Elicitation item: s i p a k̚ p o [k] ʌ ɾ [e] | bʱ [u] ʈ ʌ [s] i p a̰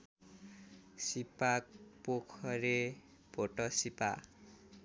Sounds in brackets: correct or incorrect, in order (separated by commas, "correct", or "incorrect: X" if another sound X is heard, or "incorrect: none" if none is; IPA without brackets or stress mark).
incorrect: kʰ, correct, incorrect: o, correct